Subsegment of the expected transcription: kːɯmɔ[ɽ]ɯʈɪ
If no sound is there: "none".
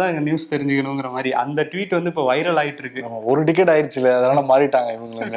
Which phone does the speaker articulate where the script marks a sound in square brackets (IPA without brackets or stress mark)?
ɾ